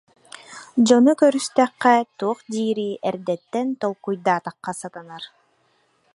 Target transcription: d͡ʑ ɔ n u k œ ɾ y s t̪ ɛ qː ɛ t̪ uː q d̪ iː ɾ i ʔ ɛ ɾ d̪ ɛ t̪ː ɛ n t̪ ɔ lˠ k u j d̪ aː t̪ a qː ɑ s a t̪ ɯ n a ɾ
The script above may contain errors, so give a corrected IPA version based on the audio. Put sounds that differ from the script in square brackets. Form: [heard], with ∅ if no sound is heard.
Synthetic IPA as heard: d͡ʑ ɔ n u k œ ɾ y s t̪ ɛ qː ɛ t̪ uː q d̪ iː ɾ i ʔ ɛ ɾ d̪ ɛ t̪ː ɛ n t̪ ɔ lˠ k u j d̪ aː t̪ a qː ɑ s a t̪ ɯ n a ɾ